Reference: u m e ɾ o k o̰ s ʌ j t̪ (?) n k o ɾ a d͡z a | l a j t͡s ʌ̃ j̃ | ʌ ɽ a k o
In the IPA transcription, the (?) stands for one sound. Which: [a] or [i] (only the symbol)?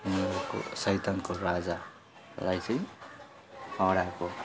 a